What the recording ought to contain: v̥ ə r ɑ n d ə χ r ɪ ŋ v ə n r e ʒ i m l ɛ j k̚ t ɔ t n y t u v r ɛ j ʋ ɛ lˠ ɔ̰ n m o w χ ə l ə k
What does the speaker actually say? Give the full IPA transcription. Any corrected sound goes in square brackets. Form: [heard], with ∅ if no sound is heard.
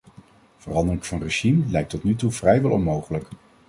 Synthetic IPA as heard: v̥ ə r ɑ n d ə [∅] r ɪ ŋ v [ɑ] n r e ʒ i m l ɛ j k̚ t ɔ t n y t u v r ɛ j ʋ ɛ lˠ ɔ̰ n m o w χ ə l ə k